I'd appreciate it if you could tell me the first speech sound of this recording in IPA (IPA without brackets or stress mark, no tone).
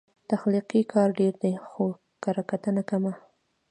t̪